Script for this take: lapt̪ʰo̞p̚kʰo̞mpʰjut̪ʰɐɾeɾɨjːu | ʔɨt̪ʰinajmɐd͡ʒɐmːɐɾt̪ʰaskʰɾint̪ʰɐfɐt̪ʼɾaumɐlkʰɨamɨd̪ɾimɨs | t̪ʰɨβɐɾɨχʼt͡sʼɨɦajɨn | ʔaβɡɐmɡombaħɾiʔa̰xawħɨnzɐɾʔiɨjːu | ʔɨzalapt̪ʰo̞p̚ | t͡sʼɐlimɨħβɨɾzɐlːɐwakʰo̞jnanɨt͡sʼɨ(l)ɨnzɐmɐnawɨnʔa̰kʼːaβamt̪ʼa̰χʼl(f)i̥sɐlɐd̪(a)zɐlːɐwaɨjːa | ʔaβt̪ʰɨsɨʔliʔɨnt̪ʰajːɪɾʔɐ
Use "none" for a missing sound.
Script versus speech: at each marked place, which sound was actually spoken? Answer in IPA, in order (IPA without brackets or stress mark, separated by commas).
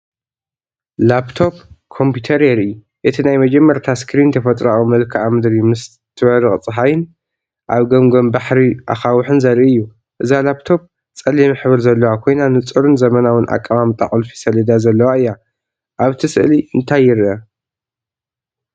ɾ, f, a